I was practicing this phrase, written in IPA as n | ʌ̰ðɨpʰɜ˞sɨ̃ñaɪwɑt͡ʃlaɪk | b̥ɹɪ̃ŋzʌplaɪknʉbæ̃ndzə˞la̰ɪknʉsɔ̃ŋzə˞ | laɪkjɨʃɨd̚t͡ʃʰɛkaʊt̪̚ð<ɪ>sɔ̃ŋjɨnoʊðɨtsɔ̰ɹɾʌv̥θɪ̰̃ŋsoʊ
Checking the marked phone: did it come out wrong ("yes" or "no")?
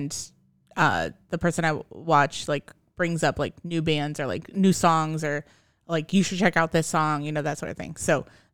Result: no